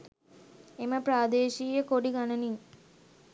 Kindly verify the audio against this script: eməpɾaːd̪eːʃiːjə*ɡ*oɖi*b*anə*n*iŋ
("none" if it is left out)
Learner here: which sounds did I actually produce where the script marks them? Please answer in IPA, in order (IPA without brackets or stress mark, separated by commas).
k, ɡ, n